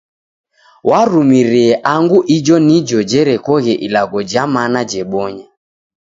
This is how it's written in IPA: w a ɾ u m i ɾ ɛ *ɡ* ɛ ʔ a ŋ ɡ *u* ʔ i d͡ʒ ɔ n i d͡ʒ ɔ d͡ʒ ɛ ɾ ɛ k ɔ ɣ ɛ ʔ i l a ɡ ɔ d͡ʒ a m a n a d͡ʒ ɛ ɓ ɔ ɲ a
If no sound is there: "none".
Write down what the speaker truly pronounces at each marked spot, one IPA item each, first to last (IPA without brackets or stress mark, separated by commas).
none, u